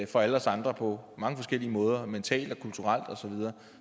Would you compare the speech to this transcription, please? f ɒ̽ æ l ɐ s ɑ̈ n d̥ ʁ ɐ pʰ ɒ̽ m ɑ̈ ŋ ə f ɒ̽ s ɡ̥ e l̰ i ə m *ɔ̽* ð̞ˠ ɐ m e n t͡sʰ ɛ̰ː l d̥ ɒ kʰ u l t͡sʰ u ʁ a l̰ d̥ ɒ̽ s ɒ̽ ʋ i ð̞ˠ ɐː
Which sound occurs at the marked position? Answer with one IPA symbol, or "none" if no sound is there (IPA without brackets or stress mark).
ɔ̽ː